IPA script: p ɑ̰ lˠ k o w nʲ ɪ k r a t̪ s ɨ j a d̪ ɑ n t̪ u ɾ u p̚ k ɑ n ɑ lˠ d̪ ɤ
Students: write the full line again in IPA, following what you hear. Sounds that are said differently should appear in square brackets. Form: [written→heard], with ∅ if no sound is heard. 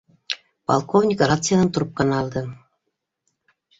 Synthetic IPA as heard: p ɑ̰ lˠ k o [w→v] nʲ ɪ k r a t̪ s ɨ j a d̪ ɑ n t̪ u ɾ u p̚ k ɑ n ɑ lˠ d̪ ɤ